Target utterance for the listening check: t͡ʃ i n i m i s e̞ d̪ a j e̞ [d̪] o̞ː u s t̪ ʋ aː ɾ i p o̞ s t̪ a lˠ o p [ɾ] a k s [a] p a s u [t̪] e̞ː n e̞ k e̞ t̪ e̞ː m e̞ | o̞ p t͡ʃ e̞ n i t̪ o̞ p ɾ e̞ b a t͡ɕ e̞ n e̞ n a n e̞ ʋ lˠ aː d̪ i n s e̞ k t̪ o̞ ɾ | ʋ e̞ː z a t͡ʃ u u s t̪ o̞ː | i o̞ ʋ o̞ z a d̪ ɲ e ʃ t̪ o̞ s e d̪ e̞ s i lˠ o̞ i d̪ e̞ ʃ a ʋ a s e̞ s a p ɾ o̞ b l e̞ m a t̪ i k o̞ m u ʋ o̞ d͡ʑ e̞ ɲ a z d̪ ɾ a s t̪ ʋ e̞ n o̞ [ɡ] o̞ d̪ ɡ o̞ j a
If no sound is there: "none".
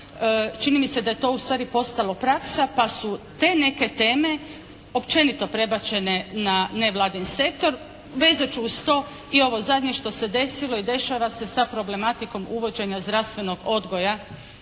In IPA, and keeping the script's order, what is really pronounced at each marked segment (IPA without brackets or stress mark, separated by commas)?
t̪, ɾ, a, t̪, ɡ